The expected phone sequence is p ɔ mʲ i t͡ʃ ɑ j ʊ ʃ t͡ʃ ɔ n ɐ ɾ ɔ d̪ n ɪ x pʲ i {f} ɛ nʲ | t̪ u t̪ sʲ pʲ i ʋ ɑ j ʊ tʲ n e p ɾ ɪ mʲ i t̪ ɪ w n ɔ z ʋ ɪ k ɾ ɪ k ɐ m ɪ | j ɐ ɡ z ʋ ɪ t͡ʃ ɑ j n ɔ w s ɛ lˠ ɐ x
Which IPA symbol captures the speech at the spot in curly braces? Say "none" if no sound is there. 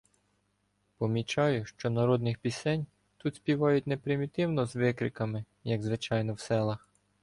s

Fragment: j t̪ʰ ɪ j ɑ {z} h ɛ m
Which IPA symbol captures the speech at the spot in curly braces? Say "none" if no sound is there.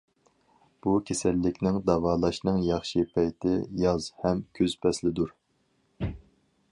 z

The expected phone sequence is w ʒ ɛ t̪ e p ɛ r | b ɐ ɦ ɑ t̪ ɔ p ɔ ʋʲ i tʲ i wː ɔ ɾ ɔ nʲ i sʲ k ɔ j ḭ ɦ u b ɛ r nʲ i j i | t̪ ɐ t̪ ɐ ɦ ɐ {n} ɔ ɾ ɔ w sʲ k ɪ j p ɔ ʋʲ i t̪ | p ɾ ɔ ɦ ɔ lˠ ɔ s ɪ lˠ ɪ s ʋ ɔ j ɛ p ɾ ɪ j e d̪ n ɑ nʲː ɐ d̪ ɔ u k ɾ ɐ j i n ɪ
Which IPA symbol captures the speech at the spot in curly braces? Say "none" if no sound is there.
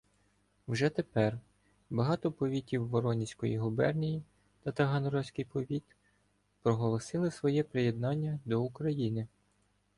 n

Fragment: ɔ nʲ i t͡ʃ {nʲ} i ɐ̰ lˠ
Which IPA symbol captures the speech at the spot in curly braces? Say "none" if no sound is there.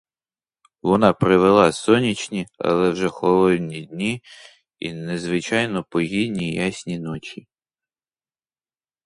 nʲ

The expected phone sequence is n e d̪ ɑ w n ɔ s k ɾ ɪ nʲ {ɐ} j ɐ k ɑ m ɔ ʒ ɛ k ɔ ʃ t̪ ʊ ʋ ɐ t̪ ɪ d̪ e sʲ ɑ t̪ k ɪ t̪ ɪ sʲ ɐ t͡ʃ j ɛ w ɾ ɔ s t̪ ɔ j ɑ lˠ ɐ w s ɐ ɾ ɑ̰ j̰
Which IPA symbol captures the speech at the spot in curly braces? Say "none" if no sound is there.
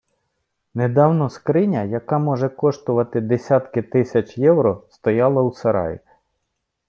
ɐ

